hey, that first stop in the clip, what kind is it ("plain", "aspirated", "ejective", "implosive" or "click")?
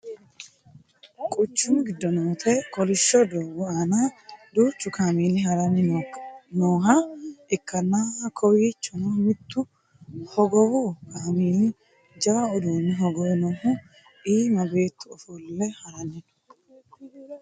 ejective